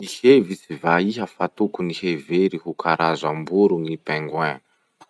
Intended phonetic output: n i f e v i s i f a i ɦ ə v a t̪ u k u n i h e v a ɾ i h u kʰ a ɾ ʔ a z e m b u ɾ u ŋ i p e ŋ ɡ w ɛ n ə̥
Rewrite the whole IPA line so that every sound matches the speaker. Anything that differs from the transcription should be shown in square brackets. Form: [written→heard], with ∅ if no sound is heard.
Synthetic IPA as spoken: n i [f→h] e v i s i [f→v] a i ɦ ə [v→f] a t̪ u k u n i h e v [a→e] ɾ i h u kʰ a ɾ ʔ a z [e→a] m b u ɾ u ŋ i p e ŋ ɡ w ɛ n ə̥

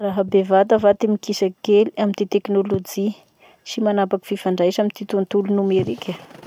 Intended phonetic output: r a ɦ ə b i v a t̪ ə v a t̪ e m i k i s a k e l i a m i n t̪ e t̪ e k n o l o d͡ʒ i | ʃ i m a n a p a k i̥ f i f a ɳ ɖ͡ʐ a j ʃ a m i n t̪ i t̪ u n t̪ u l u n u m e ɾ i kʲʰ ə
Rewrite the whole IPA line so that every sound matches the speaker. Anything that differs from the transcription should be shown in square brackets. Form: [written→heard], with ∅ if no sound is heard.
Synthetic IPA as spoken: r a ɦ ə b [i→e] v a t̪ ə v a t̪ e m i k i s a k e l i a m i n t̪ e t̪ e k n o l o d͡ʒ i | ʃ i m a n a p a k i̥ f i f a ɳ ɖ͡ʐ a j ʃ a m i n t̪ i t̪ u n t̪ u l u n u m e ɾ i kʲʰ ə

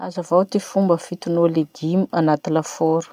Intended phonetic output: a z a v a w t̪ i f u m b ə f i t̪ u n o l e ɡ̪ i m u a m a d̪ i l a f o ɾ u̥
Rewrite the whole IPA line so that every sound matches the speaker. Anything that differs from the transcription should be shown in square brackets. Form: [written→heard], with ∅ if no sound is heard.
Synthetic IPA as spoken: a z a v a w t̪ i f u m b ə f i t̪ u n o l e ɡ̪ i m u a [m→n] a [d̪→t̪] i l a f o ɾ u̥

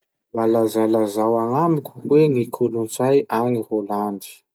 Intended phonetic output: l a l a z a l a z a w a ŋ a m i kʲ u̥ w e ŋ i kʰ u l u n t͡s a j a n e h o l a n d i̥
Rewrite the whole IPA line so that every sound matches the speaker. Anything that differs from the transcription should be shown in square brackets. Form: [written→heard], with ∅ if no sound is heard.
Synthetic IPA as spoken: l a l a z a l a z a w a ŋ a m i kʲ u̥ w e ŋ i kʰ u l u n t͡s a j a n [e→i] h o l a n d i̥

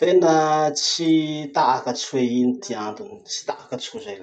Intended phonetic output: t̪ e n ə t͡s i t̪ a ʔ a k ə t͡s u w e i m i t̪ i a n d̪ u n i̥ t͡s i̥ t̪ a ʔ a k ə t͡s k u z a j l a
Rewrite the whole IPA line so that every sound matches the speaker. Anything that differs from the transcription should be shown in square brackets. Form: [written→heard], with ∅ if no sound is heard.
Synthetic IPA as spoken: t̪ e n ə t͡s i t̪ a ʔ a k ə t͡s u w e i [m→n] i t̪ i a n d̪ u n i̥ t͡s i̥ t̪ a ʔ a k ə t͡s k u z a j l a

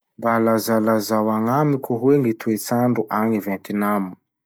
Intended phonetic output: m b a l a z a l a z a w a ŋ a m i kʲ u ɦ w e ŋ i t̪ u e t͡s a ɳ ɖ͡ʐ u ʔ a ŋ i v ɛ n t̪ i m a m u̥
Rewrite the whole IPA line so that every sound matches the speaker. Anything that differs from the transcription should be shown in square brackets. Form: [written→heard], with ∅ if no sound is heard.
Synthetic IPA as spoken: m b a l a z a l a z a w a ŋ a m i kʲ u ɦ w e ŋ i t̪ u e t͡s a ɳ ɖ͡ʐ u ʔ a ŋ i v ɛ n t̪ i [m→n] a m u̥

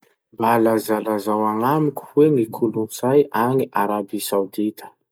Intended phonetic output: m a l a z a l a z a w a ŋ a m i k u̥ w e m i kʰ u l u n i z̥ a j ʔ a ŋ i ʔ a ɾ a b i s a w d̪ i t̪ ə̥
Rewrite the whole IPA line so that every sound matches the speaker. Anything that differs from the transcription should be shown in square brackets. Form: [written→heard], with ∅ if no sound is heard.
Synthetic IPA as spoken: [m→b] a l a z a l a z a w a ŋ a m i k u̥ w e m i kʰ u l u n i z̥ a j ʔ a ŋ i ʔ a ɾ a b i s a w d̪ i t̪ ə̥

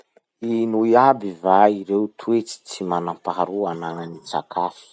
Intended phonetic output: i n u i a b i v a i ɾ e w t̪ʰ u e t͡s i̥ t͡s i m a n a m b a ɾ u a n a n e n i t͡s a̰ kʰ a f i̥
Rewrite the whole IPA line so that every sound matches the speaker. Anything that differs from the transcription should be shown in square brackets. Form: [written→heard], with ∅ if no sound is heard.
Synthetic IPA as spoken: i n u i a b i v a i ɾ e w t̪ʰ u e t͡s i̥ t͡s i m a n a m [b→p] a ɾ u a n a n [e→a] n i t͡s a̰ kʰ a f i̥

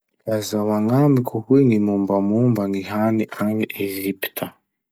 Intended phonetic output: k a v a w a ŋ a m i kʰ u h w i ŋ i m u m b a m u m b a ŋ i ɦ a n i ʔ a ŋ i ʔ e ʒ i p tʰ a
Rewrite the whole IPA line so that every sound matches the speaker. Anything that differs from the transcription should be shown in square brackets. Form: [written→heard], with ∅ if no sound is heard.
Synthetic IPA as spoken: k a [v→z] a w a ŋ a m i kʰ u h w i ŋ i m u m b a m u m b a ŋ i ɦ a n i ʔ a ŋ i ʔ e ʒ i p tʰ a

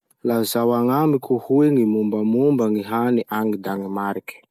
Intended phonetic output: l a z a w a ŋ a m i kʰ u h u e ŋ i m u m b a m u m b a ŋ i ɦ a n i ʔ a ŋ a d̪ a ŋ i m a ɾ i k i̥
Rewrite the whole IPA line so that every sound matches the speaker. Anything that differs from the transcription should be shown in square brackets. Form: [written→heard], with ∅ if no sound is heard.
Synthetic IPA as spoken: l a z a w a ŋ a m i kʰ u h u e ŋ i m u m b a m u m b a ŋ i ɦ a n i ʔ a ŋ [a→i] d̪ a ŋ i m a ɾ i k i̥

